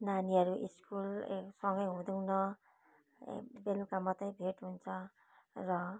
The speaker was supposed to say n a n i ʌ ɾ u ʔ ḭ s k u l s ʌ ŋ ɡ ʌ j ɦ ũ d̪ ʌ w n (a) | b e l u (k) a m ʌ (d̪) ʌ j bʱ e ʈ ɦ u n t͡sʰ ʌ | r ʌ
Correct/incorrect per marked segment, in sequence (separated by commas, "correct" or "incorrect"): incorrect, correct, incorrect